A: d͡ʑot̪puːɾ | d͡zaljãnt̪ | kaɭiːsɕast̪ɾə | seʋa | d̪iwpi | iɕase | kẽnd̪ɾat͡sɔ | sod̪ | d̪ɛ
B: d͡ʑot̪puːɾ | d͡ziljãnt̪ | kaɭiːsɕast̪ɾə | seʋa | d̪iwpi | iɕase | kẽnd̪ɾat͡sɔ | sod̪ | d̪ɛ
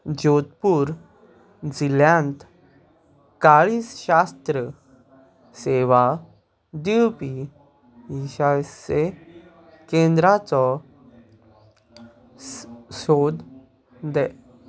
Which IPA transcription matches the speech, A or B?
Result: B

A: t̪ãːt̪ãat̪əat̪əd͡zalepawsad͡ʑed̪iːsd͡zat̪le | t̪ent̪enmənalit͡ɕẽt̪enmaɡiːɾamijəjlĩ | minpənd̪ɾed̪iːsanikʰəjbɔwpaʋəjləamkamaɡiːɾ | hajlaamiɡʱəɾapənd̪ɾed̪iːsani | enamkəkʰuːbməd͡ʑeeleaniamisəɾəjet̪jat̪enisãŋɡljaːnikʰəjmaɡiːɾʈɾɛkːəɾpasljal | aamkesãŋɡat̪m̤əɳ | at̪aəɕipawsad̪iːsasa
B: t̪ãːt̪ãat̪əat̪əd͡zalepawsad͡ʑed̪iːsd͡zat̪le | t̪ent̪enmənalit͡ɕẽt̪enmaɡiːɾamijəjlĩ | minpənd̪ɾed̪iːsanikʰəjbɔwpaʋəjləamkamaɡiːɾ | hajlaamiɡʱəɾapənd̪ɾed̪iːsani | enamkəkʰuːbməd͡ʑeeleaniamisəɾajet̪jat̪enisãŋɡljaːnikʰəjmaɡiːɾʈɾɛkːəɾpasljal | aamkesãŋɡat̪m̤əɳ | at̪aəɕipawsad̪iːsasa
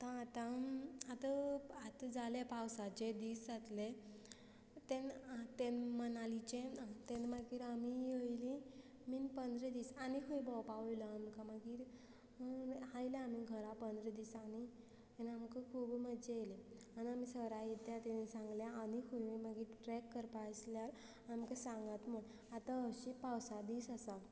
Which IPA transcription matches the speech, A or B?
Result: B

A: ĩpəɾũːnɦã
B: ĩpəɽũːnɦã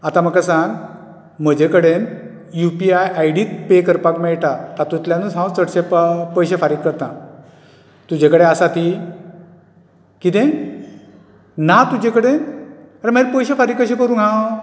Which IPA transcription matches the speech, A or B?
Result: A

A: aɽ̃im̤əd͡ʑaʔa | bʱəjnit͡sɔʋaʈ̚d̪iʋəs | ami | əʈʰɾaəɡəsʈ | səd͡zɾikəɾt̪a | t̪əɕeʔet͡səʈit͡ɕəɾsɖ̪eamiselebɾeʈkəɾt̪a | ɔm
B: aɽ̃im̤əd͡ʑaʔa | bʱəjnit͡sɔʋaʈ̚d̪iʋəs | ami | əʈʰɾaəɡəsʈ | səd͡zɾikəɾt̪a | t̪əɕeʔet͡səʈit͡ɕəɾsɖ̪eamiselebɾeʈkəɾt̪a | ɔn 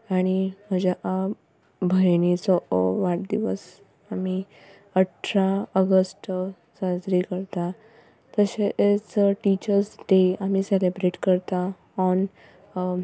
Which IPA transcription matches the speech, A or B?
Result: B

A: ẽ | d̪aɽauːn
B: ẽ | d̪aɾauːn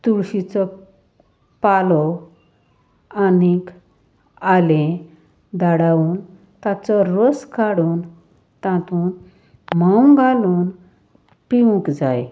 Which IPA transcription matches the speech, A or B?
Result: A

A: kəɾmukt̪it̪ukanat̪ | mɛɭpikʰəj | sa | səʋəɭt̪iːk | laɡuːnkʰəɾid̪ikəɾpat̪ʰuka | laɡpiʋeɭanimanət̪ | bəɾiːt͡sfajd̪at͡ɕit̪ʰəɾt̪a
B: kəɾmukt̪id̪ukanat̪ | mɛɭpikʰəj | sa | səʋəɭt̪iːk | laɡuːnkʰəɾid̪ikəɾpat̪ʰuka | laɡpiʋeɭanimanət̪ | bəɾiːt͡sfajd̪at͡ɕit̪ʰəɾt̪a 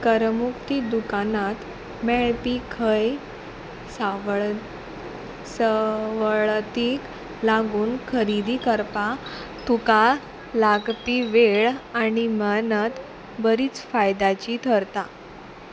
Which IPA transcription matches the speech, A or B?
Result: B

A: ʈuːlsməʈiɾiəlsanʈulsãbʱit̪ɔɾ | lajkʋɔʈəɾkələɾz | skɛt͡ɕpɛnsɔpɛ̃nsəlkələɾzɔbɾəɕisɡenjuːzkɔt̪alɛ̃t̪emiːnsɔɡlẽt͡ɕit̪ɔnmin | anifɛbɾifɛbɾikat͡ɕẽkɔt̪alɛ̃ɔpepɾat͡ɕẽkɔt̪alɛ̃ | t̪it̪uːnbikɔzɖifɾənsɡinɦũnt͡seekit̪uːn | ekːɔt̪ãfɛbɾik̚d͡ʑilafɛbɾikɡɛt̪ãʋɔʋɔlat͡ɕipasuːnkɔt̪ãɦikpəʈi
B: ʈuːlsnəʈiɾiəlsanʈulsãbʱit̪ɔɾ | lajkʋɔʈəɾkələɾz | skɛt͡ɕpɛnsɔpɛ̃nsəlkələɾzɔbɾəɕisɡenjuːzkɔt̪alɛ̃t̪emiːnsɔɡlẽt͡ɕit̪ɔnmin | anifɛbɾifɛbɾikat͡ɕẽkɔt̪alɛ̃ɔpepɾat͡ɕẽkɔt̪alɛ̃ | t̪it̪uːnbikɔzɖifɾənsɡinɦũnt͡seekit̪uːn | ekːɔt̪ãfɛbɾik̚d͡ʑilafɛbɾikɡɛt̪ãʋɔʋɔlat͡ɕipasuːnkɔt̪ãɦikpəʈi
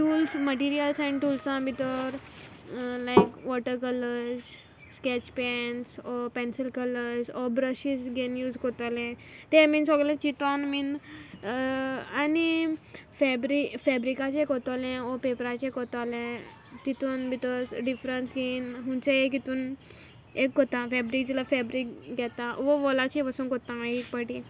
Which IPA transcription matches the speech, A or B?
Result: A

